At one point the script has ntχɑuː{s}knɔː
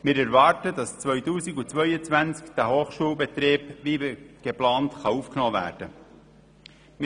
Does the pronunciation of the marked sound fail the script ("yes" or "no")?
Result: yes